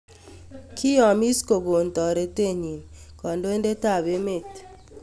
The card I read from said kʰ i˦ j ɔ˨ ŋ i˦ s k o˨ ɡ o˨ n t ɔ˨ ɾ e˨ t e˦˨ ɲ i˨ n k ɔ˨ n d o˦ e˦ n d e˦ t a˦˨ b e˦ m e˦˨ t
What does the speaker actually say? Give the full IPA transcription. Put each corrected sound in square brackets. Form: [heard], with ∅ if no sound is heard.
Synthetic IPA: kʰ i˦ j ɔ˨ [m] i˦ s k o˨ ɡ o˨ n t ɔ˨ ɾ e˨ t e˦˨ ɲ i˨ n k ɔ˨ n d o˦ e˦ n d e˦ t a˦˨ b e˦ m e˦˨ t

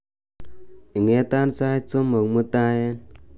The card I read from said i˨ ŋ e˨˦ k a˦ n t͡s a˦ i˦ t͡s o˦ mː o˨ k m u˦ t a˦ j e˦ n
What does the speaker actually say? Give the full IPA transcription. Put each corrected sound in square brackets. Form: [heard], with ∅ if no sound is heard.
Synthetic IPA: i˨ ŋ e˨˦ [t] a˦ n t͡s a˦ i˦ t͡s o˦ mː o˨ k m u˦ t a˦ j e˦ n

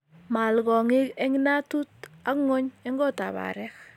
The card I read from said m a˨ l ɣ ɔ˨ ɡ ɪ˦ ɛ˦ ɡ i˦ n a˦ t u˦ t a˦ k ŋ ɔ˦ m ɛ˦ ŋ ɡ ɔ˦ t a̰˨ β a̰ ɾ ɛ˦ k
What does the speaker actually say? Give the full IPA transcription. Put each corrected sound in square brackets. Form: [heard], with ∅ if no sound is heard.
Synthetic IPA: m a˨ l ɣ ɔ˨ [ŋ] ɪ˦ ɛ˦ [ŋ] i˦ n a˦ t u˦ t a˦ k ŋ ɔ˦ [ɲ] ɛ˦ ŋ ɡ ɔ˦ t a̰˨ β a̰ ɾ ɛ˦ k

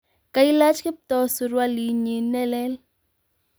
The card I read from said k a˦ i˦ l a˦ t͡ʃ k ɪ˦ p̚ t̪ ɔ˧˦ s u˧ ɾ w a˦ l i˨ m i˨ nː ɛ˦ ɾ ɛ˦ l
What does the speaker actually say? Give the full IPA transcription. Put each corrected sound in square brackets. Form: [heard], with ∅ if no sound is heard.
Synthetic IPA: k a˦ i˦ l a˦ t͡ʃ k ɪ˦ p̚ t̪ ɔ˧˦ s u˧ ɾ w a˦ l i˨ [ɲ] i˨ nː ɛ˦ [l] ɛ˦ l

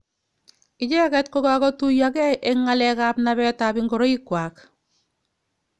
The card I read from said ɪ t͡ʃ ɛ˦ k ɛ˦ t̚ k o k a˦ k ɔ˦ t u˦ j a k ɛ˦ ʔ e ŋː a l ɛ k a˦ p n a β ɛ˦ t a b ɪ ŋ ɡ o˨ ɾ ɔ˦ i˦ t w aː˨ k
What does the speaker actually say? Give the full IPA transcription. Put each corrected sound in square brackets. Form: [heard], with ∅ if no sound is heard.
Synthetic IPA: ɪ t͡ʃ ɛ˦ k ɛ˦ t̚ k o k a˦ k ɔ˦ t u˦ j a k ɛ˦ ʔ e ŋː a l ɛ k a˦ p n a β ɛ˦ t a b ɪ ŋ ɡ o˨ ɾ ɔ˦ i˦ [k] w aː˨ k

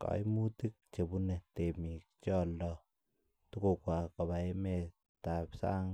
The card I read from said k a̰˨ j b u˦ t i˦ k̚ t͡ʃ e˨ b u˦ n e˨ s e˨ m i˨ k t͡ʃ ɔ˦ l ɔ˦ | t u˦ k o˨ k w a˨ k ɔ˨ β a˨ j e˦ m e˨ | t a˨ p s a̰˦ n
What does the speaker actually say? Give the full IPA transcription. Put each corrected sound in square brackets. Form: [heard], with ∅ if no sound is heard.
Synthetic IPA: k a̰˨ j [m] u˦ t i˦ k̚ t͡ʃ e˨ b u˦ n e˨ [t] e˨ m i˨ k t͡ʃ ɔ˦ l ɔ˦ | t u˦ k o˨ k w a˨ k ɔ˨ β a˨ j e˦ m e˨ | t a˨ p s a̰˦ [ŋ]

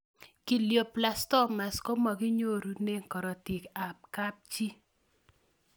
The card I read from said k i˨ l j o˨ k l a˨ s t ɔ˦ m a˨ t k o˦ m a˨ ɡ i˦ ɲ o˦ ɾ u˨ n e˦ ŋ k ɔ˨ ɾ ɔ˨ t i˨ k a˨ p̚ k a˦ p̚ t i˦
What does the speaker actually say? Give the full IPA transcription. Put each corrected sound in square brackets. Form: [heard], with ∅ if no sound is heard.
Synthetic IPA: k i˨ l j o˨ [p] l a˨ s t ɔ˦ m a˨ [s] k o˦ m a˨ ɡ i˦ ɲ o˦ ɾ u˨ n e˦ ŋ k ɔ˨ ɾ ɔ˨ t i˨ k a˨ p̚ k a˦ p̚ [t͡ʃ] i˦

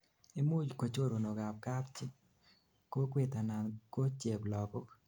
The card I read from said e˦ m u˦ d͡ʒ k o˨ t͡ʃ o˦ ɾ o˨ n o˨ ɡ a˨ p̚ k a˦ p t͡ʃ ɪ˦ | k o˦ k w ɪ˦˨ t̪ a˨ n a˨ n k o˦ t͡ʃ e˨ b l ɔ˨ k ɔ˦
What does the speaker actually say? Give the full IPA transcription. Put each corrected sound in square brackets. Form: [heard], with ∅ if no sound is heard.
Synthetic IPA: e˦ m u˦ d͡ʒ k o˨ t͡ʃ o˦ ɾ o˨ n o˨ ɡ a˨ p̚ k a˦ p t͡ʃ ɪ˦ | k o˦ k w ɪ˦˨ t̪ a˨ n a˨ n k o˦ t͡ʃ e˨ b l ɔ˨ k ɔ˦

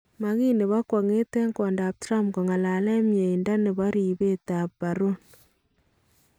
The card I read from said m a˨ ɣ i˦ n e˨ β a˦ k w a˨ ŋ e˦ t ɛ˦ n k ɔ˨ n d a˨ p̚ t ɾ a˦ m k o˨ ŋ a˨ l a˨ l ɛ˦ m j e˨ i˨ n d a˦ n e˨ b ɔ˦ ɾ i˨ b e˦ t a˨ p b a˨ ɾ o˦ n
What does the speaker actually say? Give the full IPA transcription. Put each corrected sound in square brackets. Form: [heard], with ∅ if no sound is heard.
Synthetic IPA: m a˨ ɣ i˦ n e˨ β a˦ k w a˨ ŋ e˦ t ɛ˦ [ŋ] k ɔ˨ n d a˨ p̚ t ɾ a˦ m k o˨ ŋ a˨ l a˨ l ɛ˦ m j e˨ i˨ n d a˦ n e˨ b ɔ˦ ɾ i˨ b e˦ t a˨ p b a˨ ɾ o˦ n

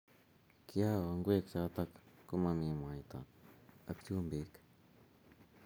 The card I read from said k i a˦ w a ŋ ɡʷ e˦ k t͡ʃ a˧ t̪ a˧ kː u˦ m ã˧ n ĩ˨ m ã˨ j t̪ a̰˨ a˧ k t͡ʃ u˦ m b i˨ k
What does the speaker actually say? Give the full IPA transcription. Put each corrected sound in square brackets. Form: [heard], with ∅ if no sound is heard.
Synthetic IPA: k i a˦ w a ŋ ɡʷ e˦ k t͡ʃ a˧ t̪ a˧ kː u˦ m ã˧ [m] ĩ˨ m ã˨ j t̪ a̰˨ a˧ k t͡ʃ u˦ m b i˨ k

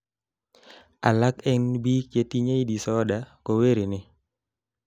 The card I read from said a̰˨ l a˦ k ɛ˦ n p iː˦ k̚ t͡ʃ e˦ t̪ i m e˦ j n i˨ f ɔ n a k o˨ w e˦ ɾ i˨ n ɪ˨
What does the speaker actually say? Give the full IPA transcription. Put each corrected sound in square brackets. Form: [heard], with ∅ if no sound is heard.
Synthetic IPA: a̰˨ l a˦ k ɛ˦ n [b] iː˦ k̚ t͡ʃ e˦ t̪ i [ɲ] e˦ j [d] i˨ [s] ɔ [d] a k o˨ w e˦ ɾ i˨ n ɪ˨

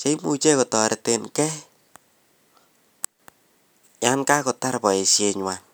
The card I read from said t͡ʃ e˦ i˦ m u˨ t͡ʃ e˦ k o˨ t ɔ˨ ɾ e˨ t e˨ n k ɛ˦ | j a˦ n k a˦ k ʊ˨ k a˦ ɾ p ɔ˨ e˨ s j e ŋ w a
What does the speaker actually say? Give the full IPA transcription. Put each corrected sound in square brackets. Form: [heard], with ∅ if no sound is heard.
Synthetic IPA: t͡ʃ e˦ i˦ m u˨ t͡ʃ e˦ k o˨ t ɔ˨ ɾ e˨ t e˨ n k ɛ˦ | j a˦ n k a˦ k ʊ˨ [t] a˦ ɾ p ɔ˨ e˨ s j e [ɲ] w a

